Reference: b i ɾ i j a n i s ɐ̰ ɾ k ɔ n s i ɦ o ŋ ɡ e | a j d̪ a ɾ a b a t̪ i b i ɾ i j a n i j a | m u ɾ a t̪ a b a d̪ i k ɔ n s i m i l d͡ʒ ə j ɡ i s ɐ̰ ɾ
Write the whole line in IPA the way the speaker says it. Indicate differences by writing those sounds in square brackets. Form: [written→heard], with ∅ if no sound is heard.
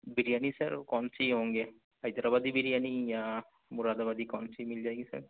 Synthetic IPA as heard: b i ɾ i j a n i s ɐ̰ ɾ k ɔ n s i ɦ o ŋ ɡ e | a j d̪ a ɾ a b a [t̪→d̪] i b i ɾ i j a n i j a | m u ɾ a [t̪→d̪] a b a d̪ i k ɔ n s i m i l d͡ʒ [ə→a] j ɡ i s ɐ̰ ɾ